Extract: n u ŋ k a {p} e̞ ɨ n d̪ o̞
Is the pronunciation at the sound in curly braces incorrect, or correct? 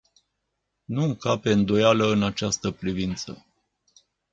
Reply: correct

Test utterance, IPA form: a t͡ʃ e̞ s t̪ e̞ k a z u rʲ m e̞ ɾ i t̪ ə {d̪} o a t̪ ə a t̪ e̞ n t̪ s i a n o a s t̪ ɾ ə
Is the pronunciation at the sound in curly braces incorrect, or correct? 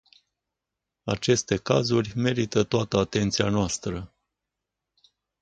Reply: incorrect: t̪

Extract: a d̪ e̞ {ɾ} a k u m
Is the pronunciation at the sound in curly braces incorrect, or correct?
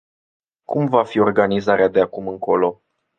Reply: incorrect: none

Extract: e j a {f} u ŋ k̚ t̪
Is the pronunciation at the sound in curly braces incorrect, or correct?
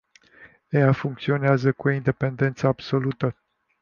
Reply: correct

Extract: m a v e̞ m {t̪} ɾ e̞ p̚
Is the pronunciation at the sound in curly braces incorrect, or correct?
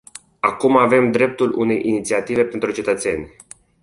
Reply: incorrect: d̪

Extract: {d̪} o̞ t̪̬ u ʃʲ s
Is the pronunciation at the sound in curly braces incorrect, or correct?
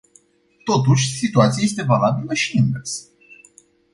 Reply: incorrect: t̪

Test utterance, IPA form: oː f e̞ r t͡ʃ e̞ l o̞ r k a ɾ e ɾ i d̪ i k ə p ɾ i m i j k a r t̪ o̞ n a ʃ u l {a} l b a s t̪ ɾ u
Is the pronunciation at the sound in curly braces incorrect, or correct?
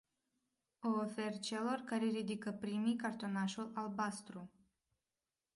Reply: correct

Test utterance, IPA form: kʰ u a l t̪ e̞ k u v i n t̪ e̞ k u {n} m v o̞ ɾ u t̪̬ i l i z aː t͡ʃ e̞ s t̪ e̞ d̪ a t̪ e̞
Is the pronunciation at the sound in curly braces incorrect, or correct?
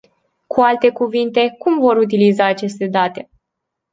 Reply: incorrect: none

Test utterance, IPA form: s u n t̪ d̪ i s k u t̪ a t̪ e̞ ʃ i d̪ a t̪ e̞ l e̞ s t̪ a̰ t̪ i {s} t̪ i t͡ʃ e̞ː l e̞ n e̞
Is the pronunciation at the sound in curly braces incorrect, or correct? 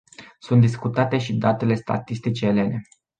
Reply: correct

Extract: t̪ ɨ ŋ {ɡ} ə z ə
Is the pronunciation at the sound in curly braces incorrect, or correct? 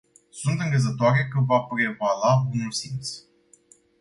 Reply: correct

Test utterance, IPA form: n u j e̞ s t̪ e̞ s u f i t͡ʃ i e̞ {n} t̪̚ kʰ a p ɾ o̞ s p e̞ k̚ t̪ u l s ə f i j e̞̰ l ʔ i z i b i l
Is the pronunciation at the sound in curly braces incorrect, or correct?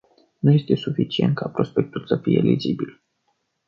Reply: correct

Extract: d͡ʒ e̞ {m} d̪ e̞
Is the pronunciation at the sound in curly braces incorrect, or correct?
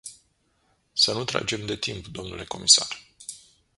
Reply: correct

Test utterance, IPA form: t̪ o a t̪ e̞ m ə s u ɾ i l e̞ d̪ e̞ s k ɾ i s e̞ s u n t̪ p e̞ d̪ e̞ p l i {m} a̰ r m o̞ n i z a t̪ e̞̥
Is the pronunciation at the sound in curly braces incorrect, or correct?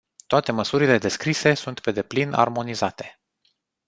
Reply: incorrect: n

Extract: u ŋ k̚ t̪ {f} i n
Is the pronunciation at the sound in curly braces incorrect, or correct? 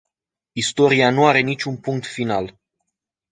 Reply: correct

